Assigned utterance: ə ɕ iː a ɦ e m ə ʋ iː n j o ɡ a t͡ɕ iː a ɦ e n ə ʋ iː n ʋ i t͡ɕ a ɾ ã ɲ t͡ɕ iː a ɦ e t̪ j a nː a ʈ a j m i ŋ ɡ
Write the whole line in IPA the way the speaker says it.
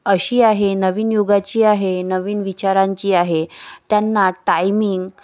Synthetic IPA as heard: ə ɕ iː a ɦ e n ə ʋ iː n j o ɡ a t͡ɕ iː a ɦ e n ə ʋ iː n ʋ i t͡ɕ a ɾ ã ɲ t͡ɕ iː a ɦ e t̪ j a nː a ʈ a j m i ŋ ɡ